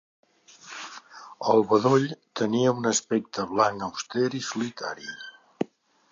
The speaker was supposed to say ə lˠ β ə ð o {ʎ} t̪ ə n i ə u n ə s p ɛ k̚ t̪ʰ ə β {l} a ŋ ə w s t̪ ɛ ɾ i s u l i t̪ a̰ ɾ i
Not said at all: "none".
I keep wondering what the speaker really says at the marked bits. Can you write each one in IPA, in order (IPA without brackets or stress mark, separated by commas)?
ʎ, l